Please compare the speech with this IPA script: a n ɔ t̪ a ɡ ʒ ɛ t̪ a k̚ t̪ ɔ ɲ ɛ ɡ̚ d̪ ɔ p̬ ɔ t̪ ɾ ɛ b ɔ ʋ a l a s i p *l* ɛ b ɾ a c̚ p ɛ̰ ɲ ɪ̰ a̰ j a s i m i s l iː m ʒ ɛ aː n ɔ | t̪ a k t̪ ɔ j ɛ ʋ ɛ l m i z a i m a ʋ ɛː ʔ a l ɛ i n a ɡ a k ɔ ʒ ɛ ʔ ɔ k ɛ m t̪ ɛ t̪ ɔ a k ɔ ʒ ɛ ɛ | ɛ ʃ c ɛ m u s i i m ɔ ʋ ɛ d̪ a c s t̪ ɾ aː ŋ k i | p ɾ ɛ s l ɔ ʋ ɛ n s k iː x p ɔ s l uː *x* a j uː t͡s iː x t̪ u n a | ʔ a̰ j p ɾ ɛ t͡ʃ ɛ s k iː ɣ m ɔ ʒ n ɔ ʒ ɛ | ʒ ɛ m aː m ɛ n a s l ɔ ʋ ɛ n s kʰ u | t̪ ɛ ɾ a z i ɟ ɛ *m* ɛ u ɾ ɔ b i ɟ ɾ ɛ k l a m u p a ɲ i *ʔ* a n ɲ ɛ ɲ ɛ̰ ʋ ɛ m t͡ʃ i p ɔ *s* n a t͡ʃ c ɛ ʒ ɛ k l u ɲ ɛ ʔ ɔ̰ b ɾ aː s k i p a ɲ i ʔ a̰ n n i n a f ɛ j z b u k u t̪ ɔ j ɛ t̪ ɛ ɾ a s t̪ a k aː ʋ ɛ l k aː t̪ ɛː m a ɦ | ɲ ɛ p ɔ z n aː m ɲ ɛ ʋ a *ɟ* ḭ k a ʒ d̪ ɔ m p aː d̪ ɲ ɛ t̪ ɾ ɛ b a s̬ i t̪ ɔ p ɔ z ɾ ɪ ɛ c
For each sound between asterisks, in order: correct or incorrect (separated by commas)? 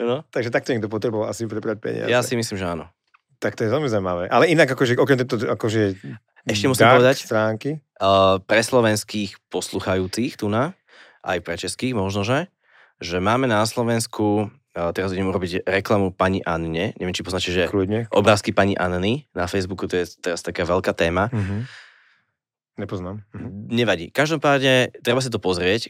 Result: incorrect, correct, correct, correct, incorrect, correct